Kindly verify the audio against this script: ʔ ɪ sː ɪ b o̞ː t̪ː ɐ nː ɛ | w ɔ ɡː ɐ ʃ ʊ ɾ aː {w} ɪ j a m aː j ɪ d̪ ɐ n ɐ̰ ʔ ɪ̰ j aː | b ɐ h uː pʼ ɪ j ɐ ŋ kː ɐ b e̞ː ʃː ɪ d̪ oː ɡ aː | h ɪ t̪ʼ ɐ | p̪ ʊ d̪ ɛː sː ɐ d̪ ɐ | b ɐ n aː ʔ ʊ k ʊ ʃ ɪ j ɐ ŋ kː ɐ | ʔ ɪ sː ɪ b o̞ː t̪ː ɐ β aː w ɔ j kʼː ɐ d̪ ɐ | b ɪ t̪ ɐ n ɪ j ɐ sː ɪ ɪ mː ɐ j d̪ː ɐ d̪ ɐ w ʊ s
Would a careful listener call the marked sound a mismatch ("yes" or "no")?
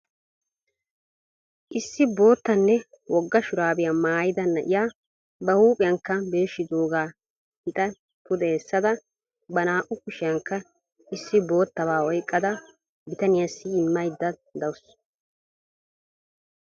yes